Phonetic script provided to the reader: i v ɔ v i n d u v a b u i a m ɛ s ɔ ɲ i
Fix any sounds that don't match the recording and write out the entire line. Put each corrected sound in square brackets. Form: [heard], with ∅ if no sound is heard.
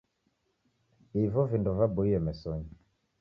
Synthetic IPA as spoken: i v ɔ v i n d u v a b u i [ɛ] m ɛ s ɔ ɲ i